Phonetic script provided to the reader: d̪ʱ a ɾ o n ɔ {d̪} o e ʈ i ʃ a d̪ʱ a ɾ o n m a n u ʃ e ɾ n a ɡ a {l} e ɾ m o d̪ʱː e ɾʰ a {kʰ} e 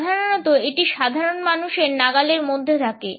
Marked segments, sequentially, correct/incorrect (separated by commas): incorrect, correct, incorrect